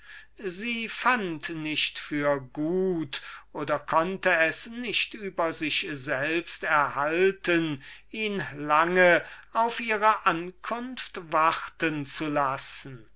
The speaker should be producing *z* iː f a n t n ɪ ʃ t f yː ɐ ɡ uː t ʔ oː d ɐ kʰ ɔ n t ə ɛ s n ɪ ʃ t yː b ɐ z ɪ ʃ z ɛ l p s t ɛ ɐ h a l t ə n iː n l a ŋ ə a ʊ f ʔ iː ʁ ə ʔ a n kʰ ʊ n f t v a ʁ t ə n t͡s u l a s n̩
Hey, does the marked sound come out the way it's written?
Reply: yes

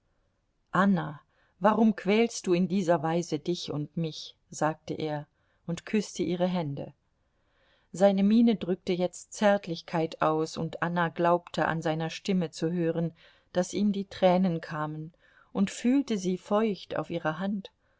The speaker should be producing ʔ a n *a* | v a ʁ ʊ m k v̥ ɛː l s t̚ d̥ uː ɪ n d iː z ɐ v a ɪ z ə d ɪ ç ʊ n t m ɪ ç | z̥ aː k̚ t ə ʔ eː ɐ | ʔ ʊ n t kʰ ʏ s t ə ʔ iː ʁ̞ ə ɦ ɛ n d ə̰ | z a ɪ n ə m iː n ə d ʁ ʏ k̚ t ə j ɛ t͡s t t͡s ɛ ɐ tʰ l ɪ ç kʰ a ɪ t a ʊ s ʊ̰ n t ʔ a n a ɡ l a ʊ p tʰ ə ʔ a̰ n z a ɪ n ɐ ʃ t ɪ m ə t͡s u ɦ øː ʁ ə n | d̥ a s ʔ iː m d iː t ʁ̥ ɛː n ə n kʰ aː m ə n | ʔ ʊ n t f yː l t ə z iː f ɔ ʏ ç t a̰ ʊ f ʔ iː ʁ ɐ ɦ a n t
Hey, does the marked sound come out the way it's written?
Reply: yes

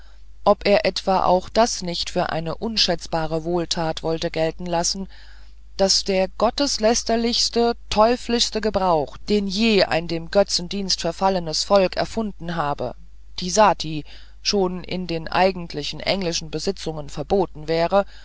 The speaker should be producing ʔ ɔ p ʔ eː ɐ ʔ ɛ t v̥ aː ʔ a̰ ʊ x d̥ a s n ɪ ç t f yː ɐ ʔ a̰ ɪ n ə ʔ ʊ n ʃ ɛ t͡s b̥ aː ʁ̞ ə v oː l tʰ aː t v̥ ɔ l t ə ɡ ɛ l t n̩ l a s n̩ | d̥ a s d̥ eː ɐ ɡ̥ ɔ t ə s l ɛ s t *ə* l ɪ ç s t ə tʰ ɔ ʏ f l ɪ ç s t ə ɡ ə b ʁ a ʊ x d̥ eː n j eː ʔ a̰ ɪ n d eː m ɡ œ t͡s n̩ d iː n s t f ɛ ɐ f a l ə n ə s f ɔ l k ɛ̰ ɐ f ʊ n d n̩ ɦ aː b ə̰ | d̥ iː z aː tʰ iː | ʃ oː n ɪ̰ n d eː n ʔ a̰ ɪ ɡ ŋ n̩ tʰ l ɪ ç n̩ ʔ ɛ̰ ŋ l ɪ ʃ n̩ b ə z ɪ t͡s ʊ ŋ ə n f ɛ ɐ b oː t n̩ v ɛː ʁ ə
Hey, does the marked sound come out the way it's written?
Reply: no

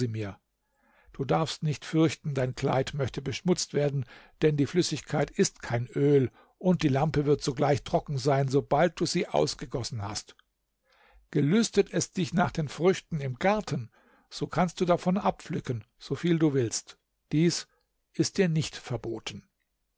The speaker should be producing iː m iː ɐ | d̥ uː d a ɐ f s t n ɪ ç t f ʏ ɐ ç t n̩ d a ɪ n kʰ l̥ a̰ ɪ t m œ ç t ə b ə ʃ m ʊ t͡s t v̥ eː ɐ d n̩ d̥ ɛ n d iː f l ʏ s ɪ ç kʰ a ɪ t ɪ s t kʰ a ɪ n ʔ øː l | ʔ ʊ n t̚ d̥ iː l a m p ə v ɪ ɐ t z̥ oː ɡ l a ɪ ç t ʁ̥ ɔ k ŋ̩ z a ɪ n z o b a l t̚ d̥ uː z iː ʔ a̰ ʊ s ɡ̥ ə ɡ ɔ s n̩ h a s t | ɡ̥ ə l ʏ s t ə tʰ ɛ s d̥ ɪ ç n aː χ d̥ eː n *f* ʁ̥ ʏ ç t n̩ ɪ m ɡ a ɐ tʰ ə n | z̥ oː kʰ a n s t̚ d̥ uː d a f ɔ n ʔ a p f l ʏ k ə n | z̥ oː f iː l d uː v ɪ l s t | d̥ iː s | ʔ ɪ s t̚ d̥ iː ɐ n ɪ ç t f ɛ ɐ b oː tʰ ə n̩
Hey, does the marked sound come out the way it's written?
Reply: yes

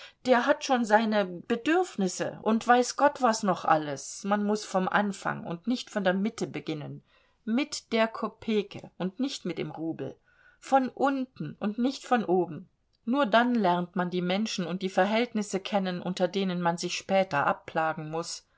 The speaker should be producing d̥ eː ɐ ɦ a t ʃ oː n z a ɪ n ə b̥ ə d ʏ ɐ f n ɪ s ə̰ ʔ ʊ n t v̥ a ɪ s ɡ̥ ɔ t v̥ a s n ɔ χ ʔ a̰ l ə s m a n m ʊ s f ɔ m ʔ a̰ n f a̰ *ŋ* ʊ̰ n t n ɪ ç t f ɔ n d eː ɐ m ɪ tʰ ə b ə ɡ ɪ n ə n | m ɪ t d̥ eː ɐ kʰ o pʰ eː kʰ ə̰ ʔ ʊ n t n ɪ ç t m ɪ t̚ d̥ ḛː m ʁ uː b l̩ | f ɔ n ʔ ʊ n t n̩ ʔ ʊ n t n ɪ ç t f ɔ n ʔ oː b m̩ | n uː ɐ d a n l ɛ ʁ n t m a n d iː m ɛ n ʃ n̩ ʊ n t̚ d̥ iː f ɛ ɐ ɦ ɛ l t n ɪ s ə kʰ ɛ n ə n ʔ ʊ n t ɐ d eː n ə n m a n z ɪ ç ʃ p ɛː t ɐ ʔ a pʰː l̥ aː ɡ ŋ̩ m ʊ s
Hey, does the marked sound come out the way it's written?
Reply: yes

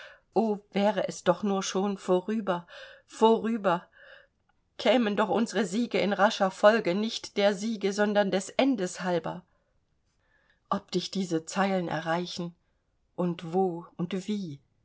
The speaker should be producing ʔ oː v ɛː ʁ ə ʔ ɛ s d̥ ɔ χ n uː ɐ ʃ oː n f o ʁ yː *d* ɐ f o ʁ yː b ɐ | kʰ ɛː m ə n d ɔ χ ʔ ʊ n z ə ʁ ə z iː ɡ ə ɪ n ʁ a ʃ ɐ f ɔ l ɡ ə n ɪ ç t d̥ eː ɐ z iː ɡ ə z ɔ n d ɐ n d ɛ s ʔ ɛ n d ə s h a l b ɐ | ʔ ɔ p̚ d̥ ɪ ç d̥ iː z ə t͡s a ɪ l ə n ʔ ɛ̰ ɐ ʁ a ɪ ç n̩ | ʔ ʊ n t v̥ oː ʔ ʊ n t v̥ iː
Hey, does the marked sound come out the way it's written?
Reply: no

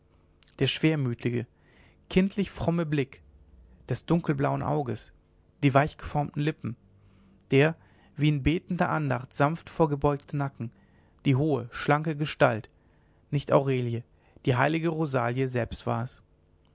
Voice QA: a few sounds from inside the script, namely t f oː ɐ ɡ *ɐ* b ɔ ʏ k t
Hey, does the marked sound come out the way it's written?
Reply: no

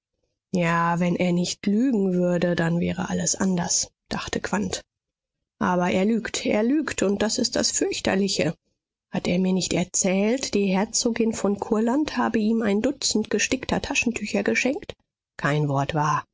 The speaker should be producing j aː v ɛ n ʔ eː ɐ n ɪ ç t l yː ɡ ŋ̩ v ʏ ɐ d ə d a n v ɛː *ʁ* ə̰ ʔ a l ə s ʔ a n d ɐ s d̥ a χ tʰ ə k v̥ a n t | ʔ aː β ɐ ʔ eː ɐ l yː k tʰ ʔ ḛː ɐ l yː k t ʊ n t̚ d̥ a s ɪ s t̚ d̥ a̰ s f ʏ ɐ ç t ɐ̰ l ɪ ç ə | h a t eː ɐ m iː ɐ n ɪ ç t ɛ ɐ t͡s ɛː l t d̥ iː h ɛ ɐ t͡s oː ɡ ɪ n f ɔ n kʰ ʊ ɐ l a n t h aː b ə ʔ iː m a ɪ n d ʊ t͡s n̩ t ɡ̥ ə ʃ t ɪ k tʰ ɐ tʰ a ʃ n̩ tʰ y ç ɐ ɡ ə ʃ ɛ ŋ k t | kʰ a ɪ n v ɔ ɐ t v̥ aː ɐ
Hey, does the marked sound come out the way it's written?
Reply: yes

